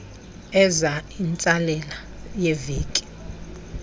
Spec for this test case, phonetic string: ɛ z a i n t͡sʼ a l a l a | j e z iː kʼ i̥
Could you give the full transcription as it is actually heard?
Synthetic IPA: ɛ z a i n t͡sʼ a l ɛ l a | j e v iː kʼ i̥